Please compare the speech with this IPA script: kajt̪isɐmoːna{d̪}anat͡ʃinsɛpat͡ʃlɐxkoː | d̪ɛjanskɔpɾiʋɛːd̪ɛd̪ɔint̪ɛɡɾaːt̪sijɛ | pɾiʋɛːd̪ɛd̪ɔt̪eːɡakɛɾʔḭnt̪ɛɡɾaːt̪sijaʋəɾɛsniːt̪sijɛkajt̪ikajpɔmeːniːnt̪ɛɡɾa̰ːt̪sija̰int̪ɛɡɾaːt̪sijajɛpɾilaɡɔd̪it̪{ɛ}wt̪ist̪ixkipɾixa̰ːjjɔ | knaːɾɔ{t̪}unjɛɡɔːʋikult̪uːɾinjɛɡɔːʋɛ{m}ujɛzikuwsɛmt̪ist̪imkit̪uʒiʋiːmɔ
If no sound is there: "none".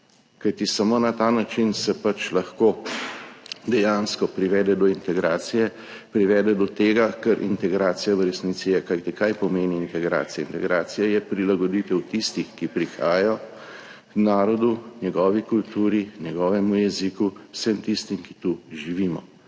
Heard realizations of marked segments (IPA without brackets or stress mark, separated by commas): t̪, ɛ, d̪, m